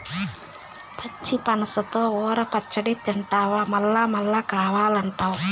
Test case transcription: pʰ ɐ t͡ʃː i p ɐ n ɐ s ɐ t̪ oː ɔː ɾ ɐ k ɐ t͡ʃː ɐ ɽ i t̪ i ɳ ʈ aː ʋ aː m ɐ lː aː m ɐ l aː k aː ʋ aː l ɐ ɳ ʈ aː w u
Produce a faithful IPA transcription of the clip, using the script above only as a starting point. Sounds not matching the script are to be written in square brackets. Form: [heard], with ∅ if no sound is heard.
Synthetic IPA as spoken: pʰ ɐ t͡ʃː i p ɐ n ɐ s ɐ t̪ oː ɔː ɾ ɐ [p] ɐ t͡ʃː ɐ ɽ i t̪ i ɳ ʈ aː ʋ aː m ɐ lː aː m ɐ [lː] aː k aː ʋ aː l ɐ ɳ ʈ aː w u